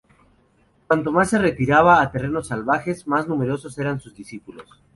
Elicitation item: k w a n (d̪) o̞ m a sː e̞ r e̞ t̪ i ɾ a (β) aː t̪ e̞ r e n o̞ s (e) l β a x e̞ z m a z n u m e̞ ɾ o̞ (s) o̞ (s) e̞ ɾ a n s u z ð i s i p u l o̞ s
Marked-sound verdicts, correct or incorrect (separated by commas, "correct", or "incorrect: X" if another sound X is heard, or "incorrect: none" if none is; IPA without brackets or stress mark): incorrect: t̪, correct, incorrect: a, correct, correct